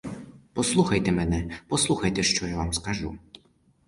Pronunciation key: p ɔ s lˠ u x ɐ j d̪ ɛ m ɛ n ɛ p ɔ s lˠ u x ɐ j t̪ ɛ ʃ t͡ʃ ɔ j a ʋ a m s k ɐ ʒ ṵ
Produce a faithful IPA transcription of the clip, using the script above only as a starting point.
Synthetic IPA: p ɔ s lˠ u x ɐ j t̪ ɛ m ɛ n ɛ p ɔ s lˠ u x ɐ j t̪ ɛ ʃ t͡ʃ ɔ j a ʋ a m s k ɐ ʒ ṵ